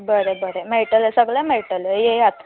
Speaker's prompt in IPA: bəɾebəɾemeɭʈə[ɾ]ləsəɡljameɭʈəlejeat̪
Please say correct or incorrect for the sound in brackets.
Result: incorrect: none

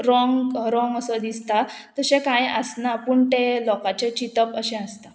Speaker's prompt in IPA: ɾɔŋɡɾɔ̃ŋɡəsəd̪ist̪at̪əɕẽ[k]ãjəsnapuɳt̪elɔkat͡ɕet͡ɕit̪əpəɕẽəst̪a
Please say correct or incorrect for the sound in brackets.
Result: correct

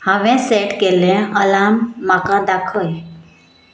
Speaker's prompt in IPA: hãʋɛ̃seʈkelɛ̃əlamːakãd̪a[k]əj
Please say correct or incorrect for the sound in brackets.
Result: incorrect: kʰ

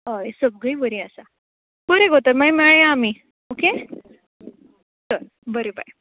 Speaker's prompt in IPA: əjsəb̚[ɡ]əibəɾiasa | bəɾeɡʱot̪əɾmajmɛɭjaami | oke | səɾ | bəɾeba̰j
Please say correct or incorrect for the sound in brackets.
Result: correct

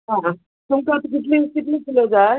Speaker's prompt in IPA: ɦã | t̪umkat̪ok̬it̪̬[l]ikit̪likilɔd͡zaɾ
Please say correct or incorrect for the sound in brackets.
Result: correct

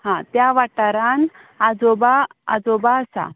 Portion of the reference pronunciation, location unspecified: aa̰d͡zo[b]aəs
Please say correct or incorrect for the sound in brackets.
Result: correct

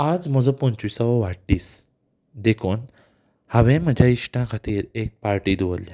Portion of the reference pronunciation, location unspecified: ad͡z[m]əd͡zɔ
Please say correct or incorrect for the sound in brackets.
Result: correct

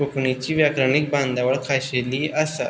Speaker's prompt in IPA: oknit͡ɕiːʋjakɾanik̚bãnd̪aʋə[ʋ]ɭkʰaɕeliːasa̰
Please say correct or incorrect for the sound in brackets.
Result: incorrect: none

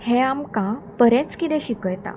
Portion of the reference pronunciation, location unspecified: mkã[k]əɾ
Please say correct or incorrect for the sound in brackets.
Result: incorrect: p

